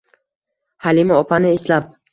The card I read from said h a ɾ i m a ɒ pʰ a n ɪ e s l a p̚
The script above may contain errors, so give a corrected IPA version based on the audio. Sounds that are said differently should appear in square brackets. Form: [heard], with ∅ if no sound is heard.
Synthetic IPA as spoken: h a [l] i m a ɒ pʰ a n ɪ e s l a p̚